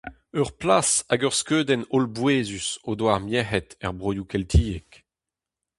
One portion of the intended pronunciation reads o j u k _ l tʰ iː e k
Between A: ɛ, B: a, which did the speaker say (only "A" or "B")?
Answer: A